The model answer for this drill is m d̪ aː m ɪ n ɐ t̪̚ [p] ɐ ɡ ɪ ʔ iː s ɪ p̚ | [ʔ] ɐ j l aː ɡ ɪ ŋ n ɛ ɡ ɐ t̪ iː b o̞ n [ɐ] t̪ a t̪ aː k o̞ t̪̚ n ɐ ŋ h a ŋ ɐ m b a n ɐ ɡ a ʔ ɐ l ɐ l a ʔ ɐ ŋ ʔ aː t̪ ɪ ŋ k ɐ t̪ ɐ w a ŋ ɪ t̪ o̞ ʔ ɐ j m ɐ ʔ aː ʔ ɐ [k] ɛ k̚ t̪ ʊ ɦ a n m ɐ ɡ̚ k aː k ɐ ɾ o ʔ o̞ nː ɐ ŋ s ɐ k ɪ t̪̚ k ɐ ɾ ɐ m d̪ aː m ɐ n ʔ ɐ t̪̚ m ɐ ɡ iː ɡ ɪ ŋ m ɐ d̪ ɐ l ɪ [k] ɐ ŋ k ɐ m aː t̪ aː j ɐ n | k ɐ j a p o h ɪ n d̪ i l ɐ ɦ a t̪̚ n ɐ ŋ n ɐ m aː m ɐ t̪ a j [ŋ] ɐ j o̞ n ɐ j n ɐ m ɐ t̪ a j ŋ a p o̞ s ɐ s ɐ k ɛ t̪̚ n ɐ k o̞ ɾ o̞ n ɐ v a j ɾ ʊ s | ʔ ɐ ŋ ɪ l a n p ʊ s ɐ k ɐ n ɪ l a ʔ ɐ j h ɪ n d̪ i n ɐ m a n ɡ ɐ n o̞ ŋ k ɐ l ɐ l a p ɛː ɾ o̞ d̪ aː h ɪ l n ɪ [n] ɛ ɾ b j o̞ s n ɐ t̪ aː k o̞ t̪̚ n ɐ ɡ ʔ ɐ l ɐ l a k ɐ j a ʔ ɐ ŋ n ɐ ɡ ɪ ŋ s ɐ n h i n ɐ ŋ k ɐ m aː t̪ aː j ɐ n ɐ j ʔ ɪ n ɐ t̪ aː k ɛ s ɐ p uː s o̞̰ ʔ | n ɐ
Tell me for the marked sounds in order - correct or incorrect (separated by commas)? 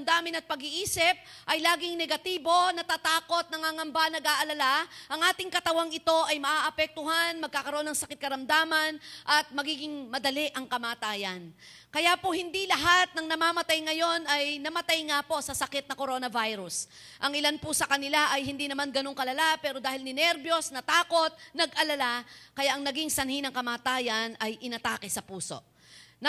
correct, correct, correct, incorrect, incorrect, correct, correct